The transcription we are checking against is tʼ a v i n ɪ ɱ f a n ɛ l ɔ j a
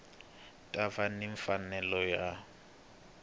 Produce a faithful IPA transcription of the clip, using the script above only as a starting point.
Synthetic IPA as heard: tʼ a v a n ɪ ɱ f a n ɛ l ɔ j a